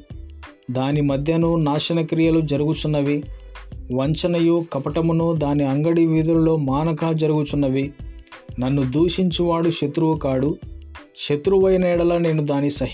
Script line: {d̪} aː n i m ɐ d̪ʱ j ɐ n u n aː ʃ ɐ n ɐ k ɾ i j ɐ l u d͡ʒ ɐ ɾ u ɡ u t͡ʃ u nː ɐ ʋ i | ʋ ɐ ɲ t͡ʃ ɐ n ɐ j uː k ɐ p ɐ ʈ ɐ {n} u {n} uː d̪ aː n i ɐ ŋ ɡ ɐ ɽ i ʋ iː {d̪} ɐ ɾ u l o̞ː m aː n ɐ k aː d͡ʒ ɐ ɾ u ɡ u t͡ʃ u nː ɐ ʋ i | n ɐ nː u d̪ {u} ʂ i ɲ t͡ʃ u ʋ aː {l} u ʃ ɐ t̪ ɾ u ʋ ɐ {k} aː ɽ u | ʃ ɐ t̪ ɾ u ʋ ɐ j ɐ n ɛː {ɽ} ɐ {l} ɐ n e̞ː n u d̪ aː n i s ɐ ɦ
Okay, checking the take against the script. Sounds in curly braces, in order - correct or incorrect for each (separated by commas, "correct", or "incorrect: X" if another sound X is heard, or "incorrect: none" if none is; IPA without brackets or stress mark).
correct, incorrect: m, correct, correct, incorrect: uː, incorrect: ɽ, correct, correct, correct